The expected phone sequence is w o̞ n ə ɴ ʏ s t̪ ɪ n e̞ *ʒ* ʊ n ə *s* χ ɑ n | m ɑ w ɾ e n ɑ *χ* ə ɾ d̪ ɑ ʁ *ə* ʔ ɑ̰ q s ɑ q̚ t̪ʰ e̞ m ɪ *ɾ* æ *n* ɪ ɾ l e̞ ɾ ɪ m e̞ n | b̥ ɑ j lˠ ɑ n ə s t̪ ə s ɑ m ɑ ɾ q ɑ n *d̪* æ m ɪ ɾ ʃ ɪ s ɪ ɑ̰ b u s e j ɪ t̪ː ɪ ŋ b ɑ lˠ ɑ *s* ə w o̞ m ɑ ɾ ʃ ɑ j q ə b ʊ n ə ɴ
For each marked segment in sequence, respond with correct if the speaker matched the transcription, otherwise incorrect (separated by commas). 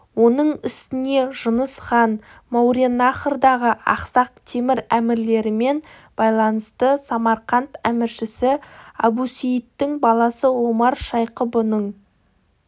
correct, correct, correct, correct, correct, incorrect, incorrect, correct